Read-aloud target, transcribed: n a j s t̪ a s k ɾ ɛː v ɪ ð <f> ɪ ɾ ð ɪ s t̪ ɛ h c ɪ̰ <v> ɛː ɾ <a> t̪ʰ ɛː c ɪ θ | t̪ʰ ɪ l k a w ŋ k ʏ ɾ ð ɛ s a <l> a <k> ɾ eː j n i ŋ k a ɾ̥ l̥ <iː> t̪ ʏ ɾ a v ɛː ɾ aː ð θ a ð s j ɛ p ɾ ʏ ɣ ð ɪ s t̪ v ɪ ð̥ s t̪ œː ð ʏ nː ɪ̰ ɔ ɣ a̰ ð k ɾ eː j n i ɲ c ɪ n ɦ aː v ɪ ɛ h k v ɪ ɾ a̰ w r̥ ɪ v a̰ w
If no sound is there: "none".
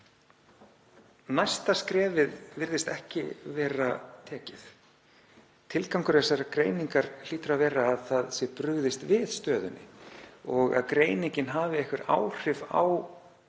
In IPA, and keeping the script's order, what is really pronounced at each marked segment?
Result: v, v, a, ɾ, k, iː

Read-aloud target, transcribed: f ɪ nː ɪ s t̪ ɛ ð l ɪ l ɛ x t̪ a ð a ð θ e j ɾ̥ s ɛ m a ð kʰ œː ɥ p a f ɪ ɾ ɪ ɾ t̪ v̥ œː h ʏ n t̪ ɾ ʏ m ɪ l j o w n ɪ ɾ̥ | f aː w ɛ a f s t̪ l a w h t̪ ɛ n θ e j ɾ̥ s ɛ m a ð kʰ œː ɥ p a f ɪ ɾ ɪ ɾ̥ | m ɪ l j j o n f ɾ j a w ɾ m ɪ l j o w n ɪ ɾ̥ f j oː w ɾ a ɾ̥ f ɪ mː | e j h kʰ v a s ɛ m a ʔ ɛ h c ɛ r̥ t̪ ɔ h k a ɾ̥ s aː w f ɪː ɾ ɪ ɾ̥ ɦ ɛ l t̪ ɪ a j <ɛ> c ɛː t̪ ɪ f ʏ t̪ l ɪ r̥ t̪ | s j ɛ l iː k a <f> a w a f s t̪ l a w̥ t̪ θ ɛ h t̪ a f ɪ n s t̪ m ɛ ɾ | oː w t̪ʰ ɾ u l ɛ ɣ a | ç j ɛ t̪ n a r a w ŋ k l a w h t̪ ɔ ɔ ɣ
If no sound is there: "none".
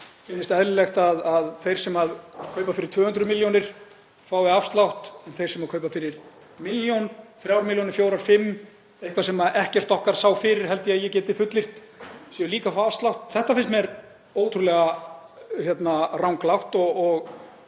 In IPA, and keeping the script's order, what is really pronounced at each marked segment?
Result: ɛ, f

